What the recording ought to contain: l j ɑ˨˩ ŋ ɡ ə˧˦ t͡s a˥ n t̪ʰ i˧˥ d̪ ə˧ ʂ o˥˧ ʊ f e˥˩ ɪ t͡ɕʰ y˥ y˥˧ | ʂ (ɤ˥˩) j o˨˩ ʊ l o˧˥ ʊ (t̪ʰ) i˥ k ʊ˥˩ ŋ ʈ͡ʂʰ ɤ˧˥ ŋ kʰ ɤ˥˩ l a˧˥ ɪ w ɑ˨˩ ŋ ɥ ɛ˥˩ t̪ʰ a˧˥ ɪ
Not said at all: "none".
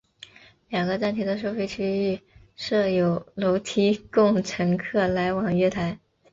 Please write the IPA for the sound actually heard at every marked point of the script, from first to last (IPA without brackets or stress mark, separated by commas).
ɤ˥˩, t̪ʰ